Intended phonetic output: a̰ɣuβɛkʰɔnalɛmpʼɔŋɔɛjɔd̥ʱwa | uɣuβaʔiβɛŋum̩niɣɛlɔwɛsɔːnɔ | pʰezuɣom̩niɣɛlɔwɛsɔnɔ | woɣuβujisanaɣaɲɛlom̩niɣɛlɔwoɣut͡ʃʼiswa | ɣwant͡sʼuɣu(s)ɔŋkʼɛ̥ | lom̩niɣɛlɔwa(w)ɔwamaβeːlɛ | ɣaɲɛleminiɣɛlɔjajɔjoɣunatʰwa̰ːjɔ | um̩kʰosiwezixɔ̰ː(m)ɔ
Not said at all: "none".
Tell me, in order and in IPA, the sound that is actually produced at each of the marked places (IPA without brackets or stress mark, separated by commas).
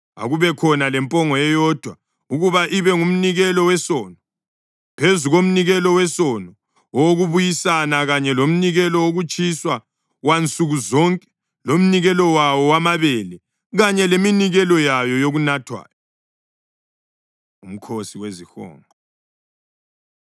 z, w, ŋ